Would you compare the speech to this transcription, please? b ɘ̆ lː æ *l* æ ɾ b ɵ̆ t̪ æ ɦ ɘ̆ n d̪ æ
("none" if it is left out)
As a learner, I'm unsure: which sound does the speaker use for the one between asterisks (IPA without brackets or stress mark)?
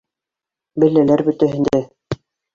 l